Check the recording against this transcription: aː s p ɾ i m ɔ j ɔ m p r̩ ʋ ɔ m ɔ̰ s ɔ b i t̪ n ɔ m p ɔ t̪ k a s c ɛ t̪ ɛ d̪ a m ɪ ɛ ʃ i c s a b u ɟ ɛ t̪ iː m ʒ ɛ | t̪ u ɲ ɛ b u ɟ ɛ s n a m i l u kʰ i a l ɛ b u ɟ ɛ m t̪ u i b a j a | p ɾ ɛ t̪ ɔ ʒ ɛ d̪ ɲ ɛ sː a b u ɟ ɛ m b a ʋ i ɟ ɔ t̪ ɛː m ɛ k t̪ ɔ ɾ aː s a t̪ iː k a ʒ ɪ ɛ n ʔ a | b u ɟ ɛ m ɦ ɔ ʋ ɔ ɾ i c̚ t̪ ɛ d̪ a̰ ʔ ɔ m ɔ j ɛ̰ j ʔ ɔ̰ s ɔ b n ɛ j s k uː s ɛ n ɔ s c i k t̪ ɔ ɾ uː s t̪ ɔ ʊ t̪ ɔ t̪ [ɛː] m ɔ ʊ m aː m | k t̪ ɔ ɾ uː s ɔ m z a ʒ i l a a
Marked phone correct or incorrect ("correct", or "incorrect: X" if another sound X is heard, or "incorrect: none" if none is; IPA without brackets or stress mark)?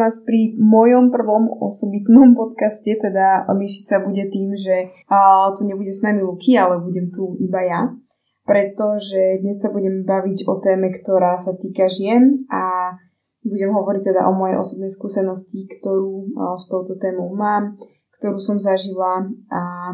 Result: correct